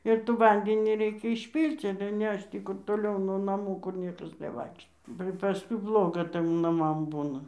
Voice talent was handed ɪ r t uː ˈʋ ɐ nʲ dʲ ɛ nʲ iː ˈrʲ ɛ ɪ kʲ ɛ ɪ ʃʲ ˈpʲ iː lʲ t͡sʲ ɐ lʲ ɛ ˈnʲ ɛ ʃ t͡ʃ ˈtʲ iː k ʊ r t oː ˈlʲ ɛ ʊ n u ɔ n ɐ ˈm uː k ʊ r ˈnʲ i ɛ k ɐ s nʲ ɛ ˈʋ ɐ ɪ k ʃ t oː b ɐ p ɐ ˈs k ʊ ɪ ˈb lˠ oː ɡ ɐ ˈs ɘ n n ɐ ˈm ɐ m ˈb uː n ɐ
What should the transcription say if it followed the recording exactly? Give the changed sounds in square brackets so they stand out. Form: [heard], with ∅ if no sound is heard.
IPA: ɪ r t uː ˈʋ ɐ nʲ dʲ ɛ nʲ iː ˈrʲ ɛ ɪ kʲ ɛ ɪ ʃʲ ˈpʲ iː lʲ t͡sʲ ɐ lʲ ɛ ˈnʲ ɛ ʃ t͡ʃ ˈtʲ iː k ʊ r t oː ˈlʲ ɛ ʊ n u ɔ n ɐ ˈm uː k ʊ r ˈnʲ i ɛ k ɐ s nʲ ɛ ˈʋ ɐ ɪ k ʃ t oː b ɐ p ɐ ˈs k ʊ ɪ ˈb lˠ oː ɡ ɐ [ˈt] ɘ [m] n ɐ ˈm ɐ m ˈb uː n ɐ